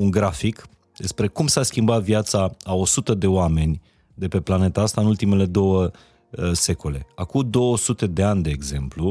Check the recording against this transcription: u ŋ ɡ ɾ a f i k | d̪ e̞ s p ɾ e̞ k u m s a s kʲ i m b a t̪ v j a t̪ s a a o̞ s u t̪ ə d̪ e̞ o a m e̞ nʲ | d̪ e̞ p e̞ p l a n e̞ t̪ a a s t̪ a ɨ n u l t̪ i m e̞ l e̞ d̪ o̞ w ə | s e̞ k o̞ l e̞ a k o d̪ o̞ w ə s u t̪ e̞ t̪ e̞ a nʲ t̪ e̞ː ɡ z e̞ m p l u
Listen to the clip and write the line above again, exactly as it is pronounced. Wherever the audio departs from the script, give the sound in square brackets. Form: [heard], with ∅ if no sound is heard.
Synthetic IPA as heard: u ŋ ɡ ɾ a f i k | d̪ e̞ s p ɾ e̞ k u m s a s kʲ i m b a t̪ v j a t̪ s a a o̞ s u t̪ ə d̪ e̞ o a m e̞ nʲ | d̪ e̞ p e̞ p l a n e̞ t̪ a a s t̪ a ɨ n u l t̪ i m e̞ l e̞ d̪ o̞ w ə | s e̞ k o̞ l e̞ a k [u] d̪ o̞ w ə s u t̪ e̞ [d̪] e̞ a nʲ [d̪] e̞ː ɡ z e̞ m p l u